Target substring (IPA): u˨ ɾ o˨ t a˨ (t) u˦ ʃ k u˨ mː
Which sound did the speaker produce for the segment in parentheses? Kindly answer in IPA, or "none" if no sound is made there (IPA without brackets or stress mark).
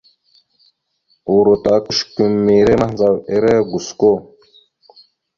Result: k